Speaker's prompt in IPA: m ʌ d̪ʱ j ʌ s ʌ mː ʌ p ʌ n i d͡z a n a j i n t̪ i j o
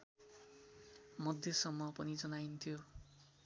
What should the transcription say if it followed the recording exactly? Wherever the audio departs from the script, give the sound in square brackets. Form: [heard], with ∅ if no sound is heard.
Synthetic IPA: m ʌ d̪ʱ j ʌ s ʌ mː ʌ p ʌ n i d͡z [ʌ] n a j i n [t̪ʰ] i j o